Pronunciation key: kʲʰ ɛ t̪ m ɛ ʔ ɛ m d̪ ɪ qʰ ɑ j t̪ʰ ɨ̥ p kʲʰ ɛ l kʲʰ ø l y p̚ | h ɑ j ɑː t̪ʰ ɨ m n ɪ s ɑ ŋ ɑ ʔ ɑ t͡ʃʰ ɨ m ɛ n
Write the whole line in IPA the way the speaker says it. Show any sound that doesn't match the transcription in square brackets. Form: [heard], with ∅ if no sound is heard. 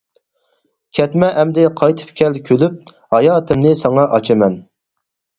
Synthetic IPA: kʲʰ ɛ t̪ m ɛ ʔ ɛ m d̪ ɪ qʰ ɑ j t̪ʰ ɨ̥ p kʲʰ ɛ l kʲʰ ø l y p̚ | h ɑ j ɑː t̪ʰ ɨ m n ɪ s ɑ ŋ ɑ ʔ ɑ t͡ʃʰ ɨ m ɛ n